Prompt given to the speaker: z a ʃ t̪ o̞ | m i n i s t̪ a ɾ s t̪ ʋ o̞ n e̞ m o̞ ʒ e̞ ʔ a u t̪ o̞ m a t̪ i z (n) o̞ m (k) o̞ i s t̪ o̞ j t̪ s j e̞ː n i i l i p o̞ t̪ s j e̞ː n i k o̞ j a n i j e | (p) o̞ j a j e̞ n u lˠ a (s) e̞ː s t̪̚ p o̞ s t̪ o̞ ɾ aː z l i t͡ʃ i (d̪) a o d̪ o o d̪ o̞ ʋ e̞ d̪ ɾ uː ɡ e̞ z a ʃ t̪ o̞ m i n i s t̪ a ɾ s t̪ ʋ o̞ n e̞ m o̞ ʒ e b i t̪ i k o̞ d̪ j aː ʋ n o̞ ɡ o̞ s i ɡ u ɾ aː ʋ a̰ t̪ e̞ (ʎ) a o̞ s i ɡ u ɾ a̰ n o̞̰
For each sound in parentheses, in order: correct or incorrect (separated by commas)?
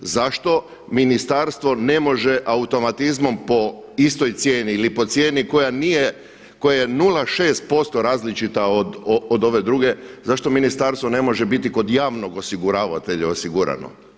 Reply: incorrect, incorrect, incorrect, incorrect, incorrect, correct